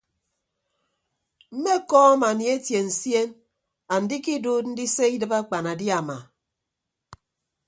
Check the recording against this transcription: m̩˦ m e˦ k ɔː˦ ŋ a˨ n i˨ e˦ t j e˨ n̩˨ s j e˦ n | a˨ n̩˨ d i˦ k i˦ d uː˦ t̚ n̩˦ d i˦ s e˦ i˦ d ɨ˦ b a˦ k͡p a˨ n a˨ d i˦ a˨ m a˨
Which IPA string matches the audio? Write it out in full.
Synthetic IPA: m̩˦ m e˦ k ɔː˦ m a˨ n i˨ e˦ t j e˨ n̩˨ s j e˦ n | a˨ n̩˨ d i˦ k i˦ d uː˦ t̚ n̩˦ d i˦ s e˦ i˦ d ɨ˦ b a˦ k͡p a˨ n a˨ d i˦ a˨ m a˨